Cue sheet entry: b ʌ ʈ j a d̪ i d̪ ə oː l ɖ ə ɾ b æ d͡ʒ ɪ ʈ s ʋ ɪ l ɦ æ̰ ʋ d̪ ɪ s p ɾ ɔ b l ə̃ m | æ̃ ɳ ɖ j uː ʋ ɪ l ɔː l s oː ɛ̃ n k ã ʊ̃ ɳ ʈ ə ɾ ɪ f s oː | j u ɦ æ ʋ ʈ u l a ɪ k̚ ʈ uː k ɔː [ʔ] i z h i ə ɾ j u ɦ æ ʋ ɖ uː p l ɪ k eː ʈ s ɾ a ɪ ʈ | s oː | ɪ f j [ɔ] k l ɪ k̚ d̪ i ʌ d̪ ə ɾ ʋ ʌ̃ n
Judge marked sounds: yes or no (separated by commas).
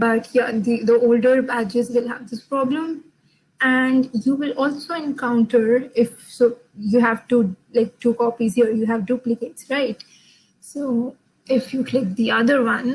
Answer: no, no